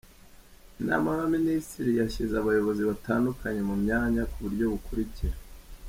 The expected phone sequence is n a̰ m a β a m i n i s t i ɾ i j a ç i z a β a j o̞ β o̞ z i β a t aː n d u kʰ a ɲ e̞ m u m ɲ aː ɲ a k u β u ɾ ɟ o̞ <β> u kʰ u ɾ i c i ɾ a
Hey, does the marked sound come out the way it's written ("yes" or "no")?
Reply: yes